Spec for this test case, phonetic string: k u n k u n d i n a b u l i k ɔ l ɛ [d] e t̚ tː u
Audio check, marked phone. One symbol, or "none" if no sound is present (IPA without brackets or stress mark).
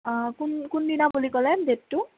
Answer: d